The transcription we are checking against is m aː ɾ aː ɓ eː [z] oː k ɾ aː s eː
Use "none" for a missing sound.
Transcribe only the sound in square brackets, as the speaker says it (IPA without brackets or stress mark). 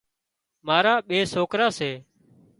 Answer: s